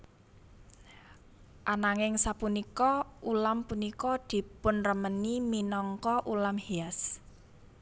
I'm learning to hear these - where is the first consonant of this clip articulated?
throat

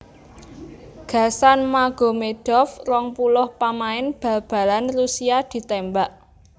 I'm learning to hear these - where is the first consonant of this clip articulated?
velum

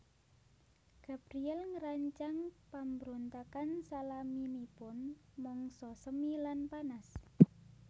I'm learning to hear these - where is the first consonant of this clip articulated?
velum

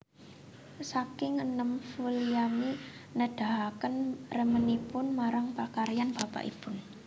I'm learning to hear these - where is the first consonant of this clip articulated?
tongue tip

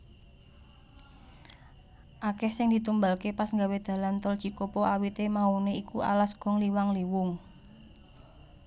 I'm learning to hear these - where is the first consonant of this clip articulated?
throat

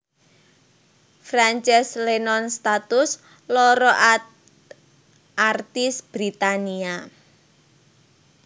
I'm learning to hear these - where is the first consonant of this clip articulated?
lips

